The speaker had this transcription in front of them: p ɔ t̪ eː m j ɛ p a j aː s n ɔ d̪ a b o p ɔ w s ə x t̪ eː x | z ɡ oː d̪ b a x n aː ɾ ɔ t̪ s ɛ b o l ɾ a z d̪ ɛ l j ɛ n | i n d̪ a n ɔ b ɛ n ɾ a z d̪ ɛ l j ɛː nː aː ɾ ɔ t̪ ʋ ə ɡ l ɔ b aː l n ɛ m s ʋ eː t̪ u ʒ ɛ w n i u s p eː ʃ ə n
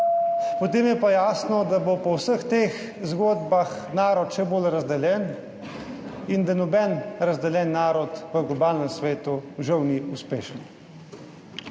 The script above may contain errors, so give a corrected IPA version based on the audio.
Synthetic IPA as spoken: p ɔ t̪ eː m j ɛ p a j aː s n ɔ d̪ a b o p ɔ w s ə x t̪ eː x | z ɡ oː d̪ b a x n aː ɾ ɔ t̪ ʃ ɛ b o l ɾ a z d̪ ɛ l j ɛ n | i n d̪ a n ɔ b ɛ n ɾ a z d̪ ɛ l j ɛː nː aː ɾ ɔ t̪ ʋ ə ɡ l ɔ b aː l n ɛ m s ʋ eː t̪ u ʒ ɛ w n i u s p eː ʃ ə n